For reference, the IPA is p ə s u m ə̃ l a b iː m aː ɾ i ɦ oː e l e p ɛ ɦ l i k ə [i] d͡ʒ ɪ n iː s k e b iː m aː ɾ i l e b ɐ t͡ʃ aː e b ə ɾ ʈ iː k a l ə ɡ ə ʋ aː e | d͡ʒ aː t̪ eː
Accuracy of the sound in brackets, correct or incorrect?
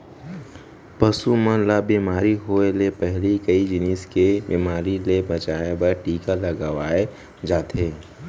correct